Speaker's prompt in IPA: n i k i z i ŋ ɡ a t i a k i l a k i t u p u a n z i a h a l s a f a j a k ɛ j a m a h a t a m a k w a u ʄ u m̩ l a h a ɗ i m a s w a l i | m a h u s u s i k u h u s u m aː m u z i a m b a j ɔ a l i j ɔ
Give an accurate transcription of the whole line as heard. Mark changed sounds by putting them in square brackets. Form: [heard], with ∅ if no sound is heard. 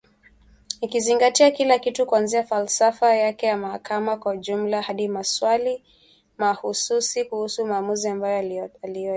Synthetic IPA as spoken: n i k i z i ŋ ɡ a t i a k i l a k i t u [k] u a n z i a [f] a l s a f a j a k ɛ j a m a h a [k] a m a k w a u ʄ u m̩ l a h a ɗ i m a s w a l i | m a h u s u s i k u h u s u m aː m u z i a m b a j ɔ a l i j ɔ

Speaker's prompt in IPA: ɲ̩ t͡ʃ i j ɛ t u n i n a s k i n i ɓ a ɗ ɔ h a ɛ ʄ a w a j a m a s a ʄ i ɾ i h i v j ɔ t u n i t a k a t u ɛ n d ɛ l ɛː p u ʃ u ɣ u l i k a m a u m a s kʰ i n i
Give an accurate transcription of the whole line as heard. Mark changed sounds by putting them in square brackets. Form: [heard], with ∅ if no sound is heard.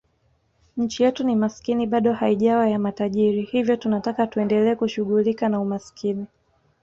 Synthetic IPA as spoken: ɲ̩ t͡ʃ i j ɛ t u n i [m] a s k i n i ɓ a ɗ ɔ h a [i] ʄ a w a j a m a [t] a ʄ i ɾ i h i v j ɔ t u n [a] t a k a t u ɛ n d ɛ l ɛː [k] u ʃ u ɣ u l i k a [n] a u m a s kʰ i n i

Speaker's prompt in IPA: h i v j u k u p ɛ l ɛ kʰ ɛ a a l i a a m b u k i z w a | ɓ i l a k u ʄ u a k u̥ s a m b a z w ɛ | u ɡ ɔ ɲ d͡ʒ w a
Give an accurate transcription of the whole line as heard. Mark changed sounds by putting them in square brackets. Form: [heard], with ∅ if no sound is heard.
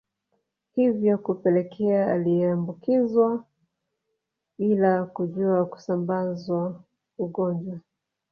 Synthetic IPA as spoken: h i v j [ɔ] k u p ɛ l ɛ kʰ ɛ a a l i [ɛ] a m b u k i z w a | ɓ i l a k u ʄ u a k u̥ s a m b a z w [a] | u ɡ ɔ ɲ d͡ʒ w a

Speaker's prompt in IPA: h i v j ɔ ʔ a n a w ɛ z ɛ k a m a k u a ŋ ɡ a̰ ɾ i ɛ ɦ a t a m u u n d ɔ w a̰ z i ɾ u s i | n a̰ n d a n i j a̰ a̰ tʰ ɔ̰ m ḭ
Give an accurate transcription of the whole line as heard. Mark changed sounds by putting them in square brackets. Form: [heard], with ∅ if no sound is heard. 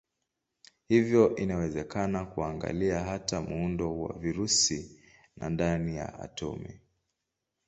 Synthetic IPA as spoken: h i v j ɔ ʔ [i] n a w ɛ z ɛ k a [n] a k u a ŋ ɡ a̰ [l] i [a] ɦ a t a m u u n d ɔ w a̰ [v] i ɾ u s i | n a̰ n d a n i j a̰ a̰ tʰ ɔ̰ m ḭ

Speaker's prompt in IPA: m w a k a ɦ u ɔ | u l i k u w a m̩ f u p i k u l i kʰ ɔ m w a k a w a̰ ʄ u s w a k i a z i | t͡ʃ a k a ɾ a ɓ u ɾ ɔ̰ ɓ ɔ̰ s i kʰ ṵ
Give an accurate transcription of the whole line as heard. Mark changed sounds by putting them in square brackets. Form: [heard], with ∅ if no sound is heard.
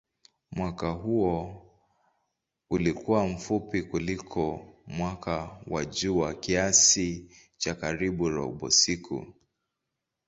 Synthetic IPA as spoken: m w a k a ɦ u ɔ | u l i k u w a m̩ f u p i k u l i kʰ ɔ m w a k a w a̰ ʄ u [∅] w a k i a [s] i | t͡ʃ a k a ɾ [i] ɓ u ɾ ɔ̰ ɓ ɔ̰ s i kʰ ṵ

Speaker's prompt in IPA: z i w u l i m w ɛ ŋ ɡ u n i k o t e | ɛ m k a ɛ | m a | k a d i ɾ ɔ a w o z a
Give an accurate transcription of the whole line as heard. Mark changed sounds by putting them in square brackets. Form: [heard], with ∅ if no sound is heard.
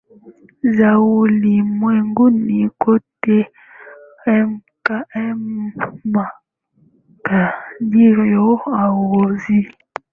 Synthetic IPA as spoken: z [a] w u l i m w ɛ ŋ ɡ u n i k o t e | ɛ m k a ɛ | m a | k a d i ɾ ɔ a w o z [i]

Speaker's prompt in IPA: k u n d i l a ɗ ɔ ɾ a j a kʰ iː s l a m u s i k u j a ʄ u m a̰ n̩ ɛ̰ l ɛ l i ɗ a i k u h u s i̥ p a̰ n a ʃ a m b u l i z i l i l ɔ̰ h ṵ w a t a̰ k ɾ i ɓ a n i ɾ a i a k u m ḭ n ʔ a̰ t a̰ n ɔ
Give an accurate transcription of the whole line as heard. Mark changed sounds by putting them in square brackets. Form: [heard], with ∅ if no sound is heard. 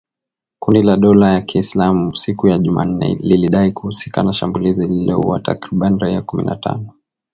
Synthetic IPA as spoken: k u n d i l a ɗ ɔ [l] a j a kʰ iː s l a m u s i k u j a ʄ u m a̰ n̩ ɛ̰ l [i] l i ɗ a i k u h u s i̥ [k] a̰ n a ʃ a m b u l i z i l i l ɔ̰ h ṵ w a t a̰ k ɾ i ɓ a n i ɾ a i a k u m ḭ n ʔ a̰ t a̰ n ɔ

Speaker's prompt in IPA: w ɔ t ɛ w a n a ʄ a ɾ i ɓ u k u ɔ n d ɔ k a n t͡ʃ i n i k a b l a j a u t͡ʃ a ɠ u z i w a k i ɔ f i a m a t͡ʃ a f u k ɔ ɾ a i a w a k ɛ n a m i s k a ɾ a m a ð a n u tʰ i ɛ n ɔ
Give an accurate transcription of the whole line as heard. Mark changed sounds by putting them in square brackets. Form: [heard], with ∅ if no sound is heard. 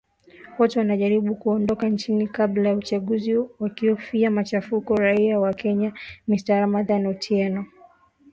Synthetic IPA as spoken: w ɔ t ɛ w a n a ʄ a ɾ i ɓ u k u ɔ n d ɔ k a n t͡ʃ i n i k a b l a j a u t͡ʃ a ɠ u z i w a k i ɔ f i a m a t͡ʃ a f u k ɔ ɾ a i a w a k ɛ [ɲ] a m i s [t] a ɾ a m a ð a n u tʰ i ɛ n ɔ

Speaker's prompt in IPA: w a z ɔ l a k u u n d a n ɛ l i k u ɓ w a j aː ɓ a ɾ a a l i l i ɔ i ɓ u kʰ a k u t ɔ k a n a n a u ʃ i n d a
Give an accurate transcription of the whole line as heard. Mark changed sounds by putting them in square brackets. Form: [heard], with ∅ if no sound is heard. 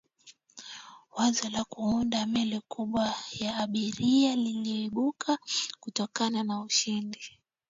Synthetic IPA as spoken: w a z ɔ l a k u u n d a [m] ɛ l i k u ɓ w a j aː ɓ [i] ɾ [i] a l i l i ɔ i ɓ u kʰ a k u t ɔ k a n a n a u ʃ i n d [i]

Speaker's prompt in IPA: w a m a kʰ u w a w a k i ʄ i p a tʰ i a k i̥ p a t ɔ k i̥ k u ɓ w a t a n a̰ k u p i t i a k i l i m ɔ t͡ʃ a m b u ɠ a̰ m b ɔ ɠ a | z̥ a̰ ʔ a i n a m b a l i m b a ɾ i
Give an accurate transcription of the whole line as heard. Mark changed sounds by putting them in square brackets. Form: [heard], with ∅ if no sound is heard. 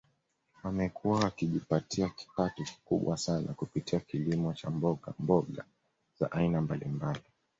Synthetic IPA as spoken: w a m [ɛ] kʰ u w a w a k i ʄ i p a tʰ i a k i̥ p a t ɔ k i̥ k u ɓ w a [s] a n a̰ k u p i t i a k i l i m ɔ t͡ʃ a m b [ɔ] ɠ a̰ m b ɔ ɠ a | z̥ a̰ ʔ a i n a m b a l i m b a [l] i

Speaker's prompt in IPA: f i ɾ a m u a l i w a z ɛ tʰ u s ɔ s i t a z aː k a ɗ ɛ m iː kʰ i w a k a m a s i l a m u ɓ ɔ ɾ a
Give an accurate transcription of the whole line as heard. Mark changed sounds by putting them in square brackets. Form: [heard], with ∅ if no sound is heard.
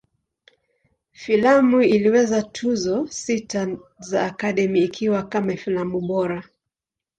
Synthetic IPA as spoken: f i [l] a m u [i] l i w [ɛ] z [a] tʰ u [z] ɔ s i t a z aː k a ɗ ɛ m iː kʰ i w a k a m a [f] i l a m u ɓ ɔ ɾ a

